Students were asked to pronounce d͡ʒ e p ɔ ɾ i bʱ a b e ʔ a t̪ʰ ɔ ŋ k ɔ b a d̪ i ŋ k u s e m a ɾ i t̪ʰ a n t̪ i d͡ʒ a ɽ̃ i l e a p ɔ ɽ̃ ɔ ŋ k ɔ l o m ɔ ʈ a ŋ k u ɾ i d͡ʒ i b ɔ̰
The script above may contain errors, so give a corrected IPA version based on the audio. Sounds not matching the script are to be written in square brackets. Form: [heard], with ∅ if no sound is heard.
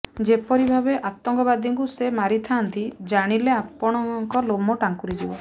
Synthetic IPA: d͡ʒ e p ɔ ɾ i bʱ a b e ʔ a [t̪] ɔ ŋ k ɔ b a d̪ i ŋ k u s e m a ɾ i t̪ʰ a n t̪ i d͡ʒ a ɽ̃ i l e a p ɔ ɽ̃ ɔ ŋ k ɔ l o m ɔ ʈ a ŋ k u ɾ i d͡ʒ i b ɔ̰